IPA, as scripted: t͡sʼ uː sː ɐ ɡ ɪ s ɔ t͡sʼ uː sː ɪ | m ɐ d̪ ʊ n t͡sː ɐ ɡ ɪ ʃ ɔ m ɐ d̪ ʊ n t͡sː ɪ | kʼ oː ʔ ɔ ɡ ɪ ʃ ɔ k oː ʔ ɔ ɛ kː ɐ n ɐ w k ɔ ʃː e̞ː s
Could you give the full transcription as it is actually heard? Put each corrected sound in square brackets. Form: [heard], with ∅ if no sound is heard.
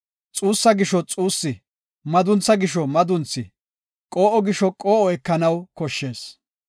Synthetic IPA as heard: t͡sʼ uː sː ɐ ɡ ɪ [ʃ] ɔ t͡sʼ uː sː ɪ | m ɐ d̪ ʊ n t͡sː ɐ ɡ ɪ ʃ ɔ m ɐ d̪ ʊ n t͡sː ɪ | kʼ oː ʔ ɔ ɡ ɪ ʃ ɔ [kʼ] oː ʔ ɔ ɛ kː ɐ n ɐ w k ɔ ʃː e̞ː s